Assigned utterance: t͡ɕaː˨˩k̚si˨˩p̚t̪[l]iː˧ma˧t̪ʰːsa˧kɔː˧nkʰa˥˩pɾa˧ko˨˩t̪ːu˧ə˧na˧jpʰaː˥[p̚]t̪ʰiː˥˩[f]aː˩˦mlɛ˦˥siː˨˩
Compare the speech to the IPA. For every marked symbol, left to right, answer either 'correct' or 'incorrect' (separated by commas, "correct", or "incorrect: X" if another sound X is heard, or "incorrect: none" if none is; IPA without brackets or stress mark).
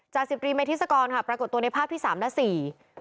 incorrect: ɾ, correct, incorrect: s